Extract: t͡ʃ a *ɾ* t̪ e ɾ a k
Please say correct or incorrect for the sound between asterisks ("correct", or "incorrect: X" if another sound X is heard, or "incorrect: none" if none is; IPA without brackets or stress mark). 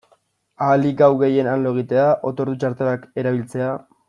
correct